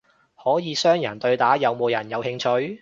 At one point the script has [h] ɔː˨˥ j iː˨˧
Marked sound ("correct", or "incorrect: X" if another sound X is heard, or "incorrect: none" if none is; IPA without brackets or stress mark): correct